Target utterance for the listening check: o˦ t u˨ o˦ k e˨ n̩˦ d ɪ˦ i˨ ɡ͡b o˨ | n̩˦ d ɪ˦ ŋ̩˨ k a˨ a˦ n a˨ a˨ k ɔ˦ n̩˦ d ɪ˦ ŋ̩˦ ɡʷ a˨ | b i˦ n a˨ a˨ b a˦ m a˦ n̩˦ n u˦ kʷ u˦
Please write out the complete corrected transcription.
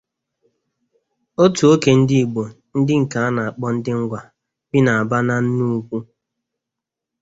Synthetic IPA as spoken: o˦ t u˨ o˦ k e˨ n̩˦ d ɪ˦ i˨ ɡ͡b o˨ | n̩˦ d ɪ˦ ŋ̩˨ k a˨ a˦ n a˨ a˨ k͡p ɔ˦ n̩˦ d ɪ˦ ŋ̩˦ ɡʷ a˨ | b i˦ n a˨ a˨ b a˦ n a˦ n̩˦ n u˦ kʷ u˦

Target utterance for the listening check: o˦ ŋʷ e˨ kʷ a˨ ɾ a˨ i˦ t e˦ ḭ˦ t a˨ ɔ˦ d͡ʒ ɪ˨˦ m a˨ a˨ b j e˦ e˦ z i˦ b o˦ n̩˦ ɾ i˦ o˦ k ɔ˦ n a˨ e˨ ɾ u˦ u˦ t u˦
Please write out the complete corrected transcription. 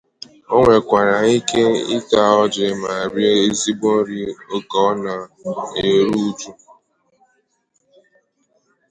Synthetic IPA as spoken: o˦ ŋʷ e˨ kʷ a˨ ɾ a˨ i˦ k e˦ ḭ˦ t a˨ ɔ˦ d͡ʒ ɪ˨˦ m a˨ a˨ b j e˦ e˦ z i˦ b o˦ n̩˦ ɾ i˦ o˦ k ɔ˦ n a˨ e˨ ɾ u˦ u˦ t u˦

